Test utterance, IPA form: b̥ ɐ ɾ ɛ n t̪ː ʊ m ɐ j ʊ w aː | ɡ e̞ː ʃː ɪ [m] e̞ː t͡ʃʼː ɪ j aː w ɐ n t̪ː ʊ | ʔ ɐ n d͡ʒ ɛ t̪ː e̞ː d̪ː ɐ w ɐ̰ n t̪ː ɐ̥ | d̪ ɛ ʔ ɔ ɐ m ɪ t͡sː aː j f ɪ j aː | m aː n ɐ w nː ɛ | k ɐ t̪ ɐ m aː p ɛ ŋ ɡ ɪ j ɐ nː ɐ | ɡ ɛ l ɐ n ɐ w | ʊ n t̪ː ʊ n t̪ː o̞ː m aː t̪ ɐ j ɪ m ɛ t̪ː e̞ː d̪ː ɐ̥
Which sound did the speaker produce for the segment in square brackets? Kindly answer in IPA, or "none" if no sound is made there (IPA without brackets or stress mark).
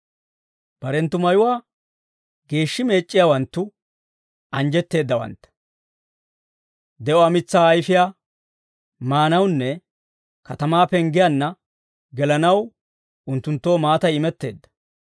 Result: m